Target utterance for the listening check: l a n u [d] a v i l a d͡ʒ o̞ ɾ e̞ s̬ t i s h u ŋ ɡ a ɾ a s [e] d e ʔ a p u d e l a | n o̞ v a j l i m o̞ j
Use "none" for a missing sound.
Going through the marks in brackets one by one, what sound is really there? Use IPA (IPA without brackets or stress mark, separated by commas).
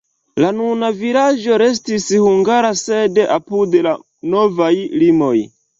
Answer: n, e